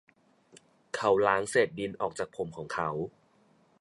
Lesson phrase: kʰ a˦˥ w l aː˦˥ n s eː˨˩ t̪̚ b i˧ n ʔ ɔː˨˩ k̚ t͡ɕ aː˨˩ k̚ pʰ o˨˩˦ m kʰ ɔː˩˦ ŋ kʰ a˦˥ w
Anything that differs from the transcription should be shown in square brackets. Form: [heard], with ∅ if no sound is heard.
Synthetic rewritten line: kʰ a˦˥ w l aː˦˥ [ŋ] s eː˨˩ t̪̚ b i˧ n ʔ ɔː˨˩ k̚ t͡ɕ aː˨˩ k̚ pʰ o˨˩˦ m kʰ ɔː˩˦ ŋ kʰ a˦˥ w